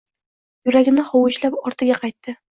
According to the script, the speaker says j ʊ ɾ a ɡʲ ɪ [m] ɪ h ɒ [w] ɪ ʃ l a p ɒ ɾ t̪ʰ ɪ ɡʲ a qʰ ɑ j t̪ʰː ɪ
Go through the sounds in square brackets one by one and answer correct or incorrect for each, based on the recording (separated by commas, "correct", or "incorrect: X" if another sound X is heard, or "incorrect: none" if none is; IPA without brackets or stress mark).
incorrect: n, correct